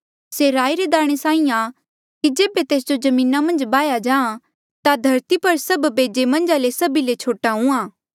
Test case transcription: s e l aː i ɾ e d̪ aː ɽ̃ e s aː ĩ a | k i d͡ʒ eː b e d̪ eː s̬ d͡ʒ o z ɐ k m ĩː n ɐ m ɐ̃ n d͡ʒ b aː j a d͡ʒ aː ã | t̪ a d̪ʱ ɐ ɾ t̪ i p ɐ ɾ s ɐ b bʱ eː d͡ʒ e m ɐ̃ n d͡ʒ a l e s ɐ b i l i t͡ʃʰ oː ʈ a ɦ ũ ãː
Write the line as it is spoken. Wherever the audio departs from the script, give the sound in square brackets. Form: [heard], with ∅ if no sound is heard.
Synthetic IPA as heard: s e [ɾ] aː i ɾ e d̪ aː ɽ̃ e s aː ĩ a | k i d͡ʒ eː b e [t̪] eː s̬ d͡ʒ o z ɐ [∅] m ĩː n [a] m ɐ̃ n d͡ʒ b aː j a d͡ʒ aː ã | t̪ a d̪ʱ ɐ ɾ t̪ i p ɐ ɾ s ɐ b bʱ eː d͡ʒ e m ɐ̃ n d͡ʒ a l e s ɐ b i l [e] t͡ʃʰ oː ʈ a ɦ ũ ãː